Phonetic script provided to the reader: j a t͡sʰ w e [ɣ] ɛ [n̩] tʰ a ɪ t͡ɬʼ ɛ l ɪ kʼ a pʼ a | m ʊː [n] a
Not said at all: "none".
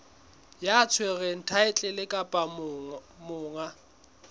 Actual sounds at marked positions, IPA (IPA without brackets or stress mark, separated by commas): ɣ, n̩, ŋ